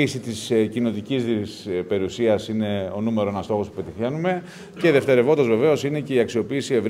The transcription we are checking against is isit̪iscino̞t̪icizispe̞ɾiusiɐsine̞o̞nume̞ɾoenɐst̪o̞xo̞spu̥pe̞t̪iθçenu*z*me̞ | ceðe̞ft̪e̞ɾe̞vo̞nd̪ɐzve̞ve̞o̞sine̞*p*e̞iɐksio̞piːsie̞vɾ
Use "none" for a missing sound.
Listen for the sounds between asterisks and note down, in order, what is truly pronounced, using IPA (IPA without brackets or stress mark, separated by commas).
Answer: none, c